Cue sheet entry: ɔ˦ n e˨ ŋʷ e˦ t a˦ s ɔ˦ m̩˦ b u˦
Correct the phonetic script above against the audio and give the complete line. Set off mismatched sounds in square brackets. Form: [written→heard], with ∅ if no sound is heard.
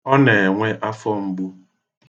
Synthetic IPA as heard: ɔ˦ n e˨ ŋʷ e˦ [t→ʔ] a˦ [s→f] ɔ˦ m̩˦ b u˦